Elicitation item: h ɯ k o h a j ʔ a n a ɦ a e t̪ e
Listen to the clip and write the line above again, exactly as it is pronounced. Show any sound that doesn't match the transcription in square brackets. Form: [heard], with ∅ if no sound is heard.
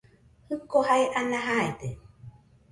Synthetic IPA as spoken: h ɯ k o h a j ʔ a n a ɦ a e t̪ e